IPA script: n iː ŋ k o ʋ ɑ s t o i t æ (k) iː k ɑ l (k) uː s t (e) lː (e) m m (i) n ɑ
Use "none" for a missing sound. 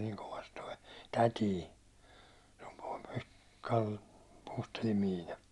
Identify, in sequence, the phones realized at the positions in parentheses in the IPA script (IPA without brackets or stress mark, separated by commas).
t, p, e, i, iː